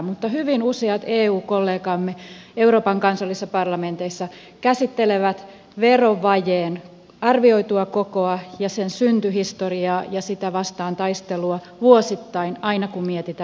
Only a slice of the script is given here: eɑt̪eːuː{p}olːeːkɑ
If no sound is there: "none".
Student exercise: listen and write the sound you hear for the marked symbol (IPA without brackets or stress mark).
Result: k